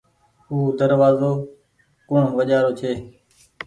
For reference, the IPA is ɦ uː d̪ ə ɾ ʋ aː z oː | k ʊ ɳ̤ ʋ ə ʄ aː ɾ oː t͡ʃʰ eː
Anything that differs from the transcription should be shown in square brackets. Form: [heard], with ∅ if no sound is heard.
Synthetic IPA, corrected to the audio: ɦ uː d̪ ə ɾ ʋ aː z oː | k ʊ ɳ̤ ʋ ə ʄ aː ɾ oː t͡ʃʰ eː